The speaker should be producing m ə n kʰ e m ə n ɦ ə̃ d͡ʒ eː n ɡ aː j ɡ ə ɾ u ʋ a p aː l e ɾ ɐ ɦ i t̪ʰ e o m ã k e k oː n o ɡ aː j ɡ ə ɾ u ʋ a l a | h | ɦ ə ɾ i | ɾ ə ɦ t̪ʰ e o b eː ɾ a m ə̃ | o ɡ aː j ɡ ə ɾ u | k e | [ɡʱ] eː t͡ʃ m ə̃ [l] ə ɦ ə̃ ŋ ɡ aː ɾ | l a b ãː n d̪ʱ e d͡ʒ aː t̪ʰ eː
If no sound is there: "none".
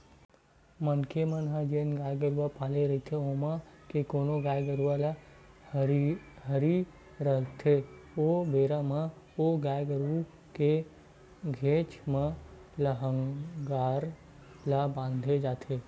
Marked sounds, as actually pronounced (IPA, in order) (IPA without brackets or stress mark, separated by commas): ɡʱ, l